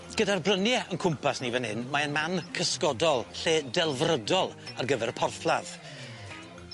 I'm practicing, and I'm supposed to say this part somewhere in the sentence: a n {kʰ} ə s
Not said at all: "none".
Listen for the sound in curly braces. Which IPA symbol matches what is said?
kʰ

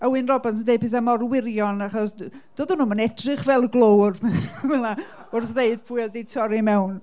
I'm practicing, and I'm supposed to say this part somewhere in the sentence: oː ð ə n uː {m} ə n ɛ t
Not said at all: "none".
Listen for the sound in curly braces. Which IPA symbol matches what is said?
m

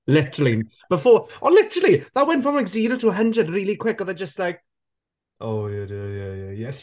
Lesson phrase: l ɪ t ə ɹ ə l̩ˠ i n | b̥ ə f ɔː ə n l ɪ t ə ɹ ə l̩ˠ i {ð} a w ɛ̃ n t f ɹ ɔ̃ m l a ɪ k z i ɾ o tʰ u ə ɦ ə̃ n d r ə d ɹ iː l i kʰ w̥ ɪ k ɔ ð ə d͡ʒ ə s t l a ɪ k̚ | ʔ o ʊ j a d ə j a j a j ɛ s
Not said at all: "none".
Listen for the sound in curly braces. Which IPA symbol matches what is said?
ð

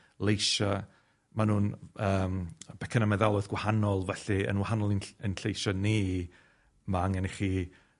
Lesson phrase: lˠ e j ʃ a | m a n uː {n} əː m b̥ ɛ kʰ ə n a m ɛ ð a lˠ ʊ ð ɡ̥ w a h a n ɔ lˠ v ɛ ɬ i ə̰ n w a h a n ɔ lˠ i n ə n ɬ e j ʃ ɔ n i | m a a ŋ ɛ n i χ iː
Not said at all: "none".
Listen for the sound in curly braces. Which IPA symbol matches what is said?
n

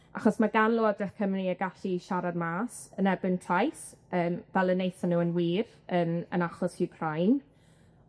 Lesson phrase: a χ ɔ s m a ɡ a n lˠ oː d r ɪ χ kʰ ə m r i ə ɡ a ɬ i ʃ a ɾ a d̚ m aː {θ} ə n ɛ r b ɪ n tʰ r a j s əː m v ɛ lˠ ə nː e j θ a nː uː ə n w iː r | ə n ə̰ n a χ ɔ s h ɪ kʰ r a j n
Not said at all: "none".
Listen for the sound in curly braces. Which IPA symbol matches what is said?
s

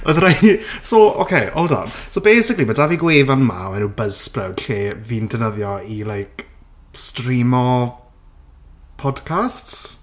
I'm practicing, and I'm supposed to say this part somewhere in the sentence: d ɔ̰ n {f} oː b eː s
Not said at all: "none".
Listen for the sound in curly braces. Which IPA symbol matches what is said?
s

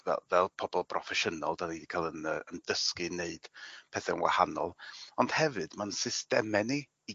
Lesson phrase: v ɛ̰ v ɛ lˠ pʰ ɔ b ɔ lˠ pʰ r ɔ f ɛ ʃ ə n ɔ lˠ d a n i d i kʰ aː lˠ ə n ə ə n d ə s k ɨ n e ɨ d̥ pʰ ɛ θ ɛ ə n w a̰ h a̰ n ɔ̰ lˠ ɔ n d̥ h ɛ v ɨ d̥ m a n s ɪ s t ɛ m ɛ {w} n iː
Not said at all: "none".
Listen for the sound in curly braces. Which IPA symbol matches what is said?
none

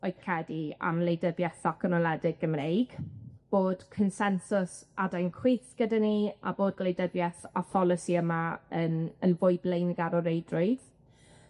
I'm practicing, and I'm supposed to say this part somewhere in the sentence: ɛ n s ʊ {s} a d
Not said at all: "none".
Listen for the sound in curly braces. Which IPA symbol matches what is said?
s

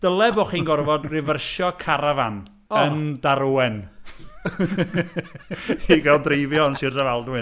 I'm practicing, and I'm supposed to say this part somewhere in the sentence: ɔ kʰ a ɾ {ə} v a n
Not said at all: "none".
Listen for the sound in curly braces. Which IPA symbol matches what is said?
a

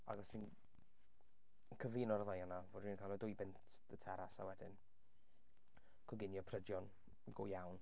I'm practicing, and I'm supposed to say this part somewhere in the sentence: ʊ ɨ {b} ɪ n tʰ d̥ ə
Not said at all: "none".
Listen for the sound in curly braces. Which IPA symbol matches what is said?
b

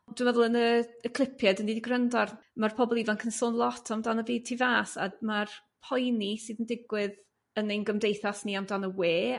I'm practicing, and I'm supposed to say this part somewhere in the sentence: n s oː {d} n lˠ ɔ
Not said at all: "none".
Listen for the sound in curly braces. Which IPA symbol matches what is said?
none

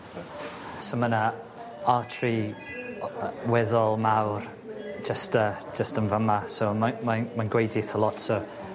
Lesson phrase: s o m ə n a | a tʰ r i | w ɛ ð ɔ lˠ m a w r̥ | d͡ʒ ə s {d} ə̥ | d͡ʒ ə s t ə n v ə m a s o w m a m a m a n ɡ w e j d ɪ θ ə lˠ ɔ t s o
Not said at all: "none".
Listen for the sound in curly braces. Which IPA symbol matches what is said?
t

